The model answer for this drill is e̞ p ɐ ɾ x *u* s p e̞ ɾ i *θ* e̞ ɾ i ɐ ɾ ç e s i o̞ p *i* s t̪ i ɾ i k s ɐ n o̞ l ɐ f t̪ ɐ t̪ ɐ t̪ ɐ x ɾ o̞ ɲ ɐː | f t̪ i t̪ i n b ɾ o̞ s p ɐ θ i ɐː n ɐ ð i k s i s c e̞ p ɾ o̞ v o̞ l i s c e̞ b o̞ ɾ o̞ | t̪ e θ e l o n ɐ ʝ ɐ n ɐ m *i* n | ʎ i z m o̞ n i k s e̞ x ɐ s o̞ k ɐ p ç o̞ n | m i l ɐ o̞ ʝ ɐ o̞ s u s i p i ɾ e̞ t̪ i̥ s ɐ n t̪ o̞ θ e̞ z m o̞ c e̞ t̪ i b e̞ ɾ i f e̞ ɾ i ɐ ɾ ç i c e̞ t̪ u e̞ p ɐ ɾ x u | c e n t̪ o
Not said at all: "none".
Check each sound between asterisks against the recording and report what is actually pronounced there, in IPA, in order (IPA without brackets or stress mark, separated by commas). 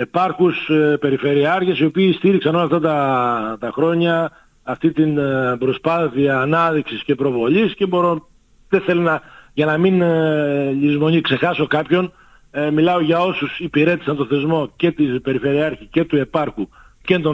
u, f, iː, i